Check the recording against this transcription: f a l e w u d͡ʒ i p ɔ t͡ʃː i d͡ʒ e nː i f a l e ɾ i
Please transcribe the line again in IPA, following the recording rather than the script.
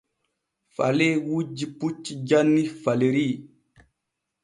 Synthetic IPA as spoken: f a l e w u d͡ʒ i p u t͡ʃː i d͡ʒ a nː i f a l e ɾ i